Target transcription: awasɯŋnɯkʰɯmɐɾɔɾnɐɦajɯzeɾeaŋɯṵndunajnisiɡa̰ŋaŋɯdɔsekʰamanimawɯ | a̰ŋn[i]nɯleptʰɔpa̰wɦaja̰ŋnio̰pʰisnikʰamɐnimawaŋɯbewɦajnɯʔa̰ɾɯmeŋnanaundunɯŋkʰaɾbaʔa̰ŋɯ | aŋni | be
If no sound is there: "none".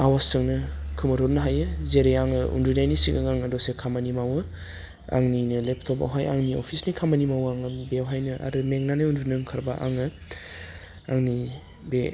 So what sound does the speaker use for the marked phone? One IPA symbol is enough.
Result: i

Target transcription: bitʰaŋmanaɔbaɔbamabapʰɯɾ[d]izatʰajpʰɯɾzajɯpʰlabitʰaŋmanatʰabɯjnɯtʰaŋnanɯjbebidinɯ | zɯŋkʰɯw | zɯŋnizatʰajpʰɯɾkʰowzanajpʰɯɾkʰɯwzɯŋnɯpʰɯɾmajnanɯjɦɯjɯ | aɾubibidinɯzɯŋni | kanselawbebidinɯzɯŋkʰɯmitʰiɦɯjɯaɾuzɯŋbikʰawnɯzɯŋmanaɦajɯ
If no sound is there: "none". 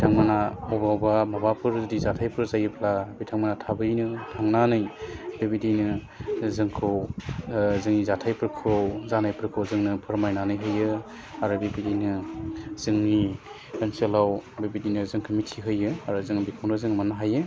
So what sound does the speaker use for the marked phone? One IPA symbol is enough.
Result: d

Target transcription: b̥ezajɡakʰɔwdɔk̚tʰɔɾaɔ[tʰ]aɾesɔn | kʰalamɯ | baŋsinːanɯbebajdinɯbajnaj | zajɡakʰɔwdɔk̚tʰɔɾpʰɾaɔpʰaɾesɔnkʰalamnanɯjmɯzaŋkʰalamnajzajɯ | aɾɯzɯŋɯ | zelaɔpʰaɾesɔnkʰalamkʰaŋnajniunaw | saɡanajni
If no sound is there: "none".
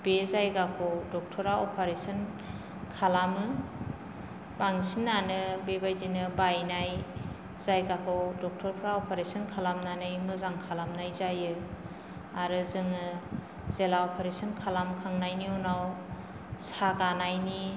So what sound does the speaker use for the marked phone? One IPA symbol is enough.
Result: pʰ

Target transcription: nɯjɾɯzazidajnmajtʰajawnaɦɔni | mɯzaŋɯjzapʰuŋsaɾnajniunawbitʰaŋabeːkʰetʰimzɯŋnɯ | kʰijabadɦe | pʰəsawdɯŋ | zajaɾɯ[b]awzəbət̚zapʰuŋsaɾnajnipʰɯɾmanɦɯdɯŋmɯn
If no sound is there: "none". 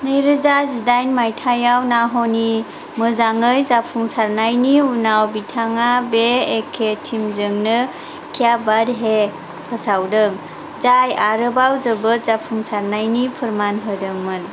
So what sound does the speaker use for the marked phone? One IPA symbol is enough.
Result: b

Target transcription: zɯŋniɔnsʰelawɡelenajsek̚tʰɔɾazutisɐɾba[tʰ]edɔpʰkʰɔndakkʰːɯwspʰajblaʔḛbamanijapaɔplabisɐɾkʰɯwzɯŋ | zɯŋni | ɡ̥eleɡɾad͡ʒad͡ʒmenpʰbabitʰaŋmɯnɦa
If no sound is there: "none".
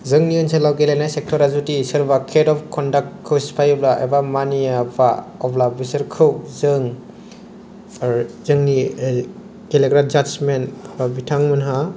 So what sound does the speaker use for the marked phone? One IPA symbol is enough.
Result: kʰ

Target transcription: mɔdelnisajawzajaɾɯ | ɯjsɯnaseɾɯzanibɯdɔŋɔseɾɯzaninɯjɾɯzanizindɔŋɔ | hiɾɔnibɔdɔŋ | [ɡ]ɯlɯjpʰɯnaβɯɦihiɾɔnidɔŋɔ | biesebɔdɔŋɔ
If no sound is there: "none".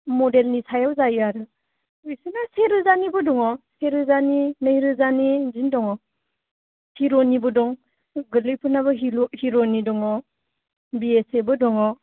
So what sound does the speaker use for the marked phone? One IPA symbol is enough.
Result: ɡ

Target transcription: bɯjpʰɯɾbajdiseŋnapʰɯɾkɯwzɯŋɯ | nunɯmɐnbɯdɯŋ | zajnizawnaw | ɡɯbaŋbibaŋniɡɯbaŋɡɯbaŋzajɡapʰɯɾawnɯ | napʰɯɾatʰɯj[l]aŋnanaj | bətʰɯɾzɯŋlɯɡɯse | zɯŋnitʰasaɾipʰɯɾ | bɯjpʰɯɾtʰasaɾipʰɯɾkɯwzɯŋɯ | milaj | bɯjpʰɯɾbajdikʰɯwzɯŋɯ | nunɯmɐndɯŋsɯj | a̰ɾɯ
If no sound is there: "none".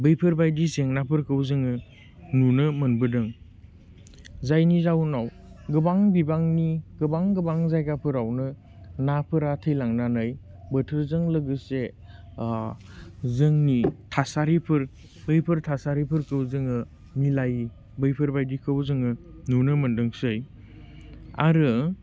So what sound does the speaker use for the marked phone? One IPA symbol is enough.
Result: l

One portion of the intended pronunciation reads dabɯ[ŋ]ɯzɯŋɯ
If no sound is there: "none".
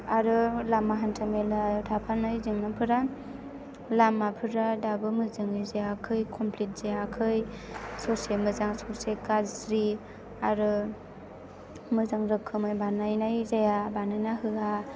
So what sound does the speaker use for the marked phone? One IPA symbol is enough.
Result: m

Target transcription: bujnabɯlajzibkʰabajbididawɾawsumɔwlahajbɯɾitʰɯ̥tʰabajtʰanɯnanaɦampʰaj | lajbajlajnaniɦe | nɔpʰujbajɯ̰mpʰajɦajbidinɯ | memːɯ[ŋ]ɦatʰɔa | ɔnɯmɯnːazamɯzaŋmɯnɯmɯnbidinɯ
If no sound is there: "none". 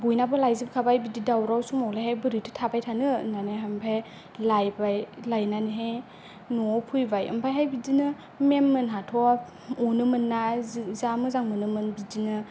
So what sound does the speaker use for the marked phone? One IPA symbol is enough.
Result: n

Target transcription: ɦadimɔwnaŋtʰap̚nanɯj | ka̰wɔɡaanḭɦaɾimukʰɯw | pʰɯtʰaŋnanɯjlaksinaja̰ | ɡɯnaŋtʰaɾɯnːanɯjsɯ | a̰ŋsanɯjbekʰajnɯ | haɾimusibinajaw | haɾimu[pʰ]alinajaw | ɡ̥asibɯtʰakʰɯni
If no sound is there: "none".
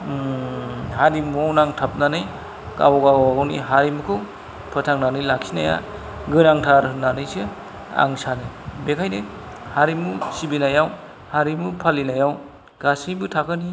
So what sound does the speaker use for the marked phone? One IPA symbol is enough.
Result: pʰ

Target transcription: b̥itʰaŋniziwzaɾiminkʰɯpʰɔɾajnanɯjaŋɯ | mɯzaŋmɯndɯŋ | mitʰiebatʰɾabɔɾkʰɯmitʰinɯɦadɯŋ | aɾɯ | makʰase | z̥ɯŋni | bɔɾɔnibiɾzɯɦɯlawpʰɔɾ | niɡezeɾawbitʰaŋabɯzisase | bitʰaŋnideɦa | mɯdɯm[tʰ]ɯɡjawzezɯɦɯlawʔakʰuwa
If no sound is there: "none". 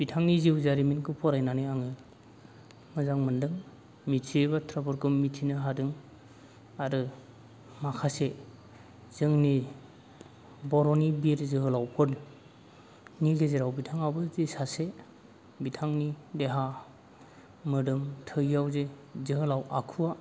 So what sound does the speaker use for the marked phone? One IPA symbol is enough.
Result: tʰ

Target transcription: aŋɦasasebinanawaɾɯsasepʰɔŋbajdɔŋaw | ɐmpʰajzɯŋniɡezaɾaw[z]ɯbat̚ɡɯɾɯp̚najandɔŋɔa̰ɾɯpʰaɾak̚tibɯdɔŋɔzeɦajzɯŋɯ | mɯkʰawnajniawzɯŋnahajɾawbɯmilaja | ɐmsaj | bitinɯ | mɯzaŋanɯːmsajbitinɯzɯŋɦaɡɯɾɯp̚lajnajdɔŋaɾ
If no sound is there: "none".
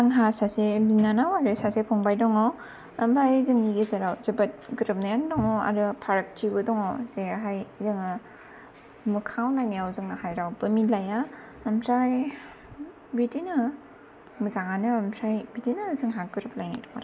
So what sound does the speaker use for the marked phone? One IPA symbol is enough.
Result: z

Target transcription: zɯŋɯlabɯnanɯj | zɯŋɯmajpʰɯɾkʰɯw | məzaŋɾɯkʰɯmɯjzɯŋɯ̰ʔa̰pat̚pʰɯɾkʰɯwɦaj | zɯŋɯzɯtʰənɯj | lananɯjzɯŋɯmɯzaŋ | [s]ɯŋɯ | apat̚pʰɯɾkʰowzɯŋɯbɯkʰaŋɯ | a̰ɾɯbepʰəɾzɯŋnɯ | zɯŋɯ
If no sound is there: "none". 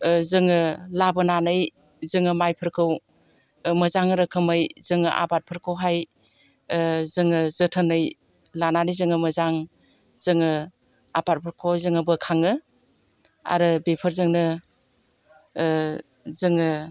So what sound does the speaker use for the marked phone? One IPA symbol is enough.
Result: z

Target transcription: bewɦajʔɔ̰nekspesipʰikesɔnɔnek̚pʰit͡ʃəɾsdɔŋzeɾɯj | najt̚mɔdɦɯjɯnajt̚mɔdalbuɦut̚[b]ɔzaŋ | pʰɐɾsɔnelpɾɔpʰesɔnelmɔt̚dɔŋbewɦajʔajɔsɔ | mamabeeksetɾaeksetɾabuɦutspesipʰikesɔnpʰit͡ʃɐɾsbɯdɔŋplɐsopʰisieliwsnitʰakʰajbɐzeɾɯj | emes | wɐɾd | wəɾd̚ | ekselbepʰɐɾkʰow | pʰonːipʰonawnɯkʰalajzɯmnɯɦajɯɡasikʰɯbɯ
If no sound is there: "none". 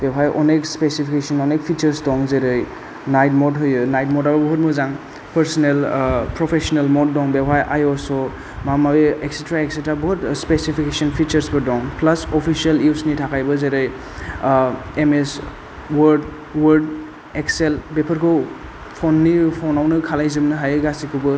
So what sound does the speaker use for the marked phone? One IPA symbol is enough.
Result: m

